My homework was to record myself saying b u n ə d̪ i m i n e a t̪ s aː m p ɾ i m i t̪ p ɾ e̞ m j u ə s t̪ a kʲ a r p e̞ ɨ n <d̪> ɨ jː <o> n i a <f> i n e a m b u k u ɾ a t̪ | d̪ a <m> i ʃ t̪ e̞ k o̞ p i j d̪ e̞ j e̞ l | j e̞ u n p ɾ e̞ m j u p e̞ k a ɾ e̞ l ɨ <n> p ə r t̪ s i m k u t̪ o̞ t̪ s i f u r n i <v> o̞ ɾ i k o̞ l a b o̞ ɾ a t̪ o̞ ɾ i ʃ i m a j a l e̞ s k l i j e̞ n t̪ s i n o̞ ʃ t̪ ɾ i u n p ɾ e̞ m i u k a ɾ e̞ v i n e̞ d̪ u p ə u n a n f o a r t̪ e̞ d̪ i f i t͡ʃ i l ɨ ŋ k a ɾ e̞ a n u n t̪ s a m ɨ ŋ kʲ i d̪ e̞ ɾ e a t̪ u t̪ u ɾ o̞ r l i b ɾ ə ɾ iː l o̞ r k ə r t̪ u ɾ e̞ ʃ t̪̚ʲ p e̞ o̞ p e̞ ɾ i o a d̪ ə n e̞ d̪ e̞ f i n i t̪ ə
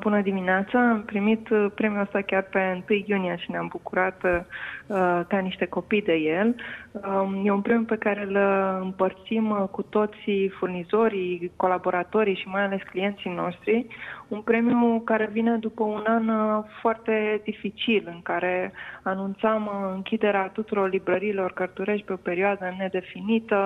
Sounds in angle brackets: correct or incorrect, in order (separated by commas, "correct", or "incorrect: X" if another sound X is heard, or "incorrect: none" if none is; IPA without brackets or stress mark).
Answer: incorrect: t̪, incorrect: u, incorrect: ʃ, incorrect: n, incorrect: m, incorrect: z